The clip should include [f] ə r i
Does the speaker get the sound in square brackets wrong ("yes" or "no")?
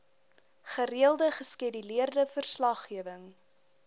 yes